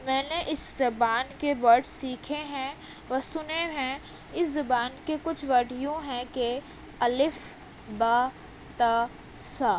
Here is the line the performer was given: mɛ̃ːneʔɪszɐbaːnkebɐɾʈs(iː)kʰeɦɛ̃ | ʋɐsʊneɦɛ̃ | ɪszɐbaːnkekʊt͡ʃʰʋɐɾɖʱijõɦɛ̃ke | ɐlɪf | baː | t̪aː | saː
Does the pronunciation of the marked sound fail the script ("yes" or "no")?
no